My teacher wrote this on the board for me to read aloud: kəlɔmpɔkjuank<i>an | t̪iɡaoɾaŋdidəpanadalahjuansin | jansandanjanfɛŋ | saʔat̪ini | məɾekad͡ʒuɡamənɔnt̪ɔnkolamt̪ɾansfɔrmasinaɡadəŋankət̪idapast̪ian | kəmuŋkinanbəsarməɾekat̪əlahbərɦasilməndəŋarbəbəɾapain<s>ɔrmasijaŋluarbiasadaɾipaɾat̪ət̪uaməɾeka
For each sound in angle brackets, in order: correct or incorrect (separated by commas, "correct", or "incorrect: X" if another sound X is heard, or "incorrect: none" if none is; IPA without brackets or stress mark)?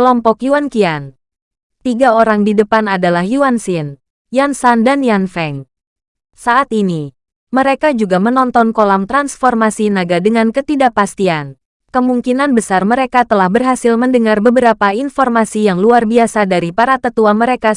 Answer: correct, incorrect: f